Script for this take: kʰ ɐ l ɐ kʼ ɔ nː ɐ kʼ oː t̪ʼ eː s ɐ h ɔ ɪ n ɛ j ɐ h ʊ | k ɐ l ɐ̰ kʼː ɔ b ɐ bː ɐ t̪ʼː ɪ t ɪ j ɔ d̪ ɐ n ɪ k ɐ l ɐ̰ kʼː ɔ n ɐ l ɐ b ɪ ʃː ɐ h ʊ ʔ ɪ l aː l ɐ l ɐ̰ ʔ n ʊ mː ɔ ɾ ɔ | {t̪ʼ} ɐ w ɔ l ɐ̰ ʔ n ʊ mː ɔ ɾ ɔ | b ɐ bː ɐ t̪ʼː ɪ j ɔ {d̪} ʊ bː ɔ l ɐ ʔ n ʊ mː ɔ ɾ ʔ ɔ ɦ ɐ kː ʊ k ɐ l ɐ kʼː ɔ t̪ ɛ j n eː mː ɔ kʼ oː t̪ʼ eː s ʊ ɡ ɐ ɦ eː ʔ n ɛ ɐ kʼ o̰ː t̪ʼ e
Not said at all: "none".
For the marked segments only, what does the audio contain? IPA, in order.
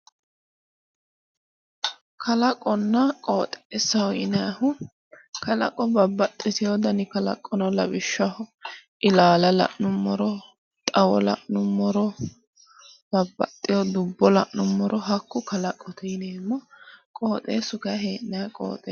t̪ʼ, d̪

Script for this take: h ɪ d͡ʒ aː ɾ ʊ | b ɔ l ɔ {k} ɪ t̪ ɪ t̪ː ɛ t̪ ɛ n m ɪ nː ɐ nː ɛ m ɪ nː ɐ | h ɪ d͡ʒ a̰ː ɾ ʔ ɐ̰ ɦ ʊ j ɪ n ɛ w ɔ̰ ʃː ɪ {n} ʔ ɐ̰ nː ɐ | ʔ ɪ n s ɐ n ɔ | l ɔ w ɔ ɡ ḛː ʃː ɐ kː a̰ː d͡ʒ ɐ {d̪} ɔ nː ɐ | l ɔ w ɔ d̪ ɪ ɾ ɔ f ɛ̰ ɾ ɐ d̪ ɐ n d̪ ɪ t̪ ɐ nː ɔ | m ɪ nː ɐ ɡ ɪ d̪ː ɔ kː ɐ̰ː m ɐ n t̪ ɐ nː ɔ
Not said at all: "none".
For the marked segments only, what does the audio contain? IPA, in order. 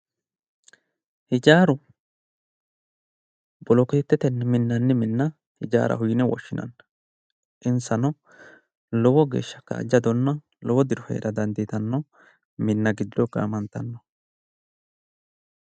k, n, d̪

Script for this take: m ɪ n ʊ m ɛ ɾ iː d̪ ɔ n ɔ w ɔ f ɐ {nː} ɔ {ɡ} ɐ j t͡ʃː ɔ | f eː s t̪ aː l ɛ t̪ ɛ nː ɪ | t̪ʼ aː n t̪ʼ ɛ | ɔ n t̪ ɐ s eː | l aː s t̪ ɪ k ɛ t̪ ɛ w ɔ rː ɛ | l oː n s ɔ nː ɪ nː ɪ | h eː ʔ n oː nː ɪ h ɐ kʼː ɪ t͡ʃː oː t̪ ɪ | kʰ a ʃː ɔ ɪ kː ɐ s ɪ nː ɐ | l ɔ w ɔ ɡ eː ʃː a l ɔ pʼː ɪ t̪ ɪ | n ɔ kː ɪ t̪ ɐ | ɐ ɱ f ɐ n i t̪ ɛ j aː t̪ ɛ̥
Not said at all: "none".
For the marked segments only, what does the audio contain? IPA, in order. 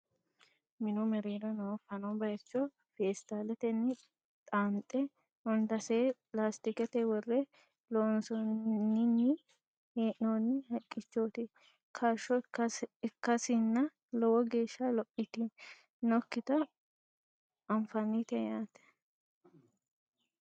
n, b

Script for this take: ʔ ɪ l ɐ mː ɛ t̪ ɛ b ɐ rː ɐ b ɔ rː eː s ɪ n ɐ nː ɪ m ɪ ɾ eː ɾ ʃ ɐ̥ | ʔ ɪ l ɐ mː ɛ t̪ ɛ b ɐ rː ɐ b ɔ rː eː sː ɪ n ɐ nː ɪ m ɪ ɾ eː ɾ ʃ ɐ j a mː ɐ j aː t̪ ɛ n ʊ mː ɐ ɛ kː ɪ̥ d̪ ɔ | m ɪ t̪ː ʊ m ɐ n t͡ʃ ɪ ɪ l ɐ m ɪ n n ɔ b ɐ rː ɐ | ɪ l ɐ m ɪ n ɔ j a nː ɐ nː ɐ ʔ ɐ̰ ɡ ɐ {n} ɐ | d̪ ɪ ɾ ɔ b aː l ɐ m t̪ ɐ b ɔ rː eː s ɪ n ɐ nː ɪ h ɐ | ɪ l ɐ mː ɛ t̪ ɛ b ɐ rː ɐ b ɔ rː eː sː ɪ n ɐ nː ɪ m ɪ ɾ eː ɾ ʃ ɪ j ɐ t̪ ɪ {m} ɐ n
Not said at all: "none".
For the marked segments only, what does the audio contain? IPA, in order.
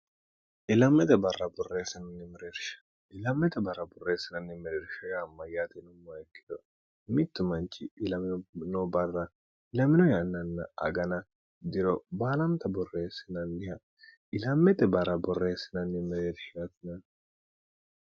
n, n

